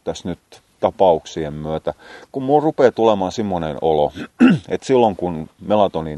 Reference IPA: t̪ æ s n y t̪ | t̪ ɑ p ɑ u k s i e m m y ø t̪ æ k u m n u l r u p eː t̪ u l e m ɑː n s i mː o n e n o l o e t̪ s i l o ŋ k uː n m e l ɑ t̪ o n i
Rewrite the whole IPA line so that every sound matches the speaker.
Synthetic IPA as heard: t̪ æ s n y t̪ | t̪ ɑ p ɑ u k s i e m m y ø t̪ æ k u m m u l r u p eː t̪ u l e m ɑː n s i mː o n e n o l o e t̪ s i lː o ŋ k u n m e l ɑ t̪ o n i